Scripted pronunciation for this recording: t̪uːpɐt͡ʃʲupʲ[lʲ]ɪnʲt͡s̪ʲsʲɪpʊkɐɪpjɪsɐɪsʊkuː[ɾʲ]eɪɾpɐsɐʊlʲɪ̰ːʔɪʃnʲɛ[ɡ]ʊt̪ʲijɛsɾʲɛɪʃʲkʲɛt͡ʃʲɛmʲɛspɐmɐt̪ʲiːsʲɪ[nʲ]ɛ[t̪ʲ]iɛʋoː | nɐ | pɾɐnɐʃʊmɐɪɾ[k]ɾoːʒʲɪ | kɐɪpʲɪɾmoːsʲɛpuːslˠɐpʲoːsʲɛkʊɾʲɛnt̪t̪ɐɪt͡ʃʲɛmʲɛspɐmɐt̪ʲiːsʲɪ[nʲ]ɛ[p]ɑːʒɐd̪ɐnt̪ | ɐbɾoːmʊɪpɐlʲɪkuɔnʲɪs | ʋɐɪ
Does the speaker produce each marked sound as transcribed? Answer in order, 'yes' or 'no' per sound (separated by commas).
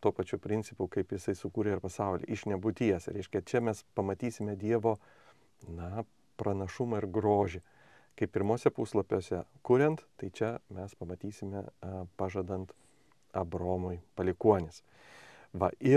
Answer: no, yes, no, no, no, no, no, yes